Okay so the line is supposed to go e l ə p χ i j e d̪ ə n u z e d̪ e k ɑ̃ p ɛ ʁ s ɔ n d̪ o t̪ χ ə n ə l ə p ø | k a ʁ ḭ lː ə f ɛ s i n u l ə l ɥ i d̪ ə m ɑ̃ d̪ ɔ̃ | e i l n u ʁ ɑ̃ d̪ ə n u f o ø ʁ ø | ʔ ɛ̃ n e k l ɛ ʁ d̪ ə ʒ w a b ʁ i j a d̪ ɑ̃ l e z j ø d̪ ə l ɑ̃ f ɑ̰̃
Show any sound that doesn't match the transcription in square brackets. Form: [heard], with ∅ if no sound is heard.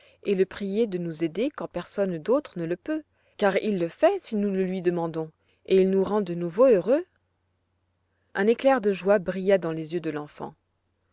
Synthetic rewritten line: e l ə p χ i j e d̪ ə n u z e d̪ e k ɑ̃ p ɛ ʁ s ɔ n d̪ o t̪ χ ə n ə l ə p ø | k a ʁ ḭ lː ə f ɛ s i n u l ə l ɥ i d̪ ə m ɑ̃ d̪ ɔ̃ | e i l n u ʁ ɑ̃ d̪ ə n u [v] o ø ʁ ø | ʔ ɛ̃ n e k l ɛ ʁ d̪ ə ʒ w a b ʁ i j a d̪ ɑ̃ l e z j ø d̪ ə l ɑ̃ f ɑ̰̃